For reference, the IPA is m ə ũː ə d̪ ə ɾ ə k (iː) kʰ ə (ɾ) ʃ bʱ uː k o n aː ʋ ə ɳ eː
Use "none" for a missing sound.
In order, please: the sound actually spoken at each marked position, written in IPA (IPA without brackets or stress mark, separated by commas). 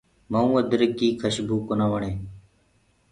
iː, none